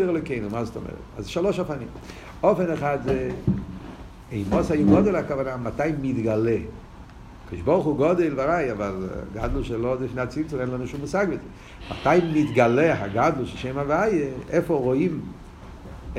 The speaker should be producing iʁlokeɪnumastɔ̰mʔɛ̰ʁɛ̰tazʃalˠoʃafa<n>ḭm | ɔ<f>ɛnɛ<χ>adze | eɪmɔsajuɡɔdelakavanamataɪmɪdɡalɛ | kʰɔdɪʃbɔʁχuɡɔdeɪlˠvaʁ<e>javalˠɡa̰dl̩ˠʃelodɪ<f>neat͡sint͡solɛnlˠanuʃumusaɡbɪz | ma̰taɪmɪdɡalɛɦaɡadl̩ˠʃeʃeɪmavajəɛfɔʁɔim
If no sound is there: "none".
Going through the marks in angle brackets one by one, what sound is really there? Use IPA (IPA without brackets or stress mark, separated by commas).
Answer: n, f, χ, a, f